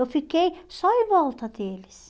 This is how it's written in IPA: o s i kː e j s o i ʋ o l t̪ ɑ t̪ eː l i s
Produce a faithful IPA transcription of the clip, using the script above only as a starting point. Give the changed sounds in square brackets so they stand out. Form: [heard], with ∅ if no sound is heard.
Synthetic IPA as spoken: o [f] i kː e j s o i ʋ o l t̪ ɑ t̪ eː l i s